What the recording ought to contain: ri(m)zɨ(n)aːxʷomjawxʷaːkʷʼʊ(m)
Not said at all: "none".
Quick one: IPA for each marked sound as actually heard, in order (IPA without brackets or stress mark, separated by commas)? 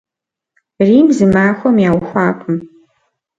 m, m, m